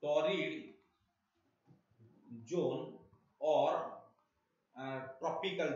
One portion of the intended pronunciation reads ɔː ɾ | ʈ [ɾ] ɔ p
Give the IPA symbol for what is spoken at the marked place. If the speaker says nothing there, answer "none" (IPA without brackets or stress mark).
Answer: ɾ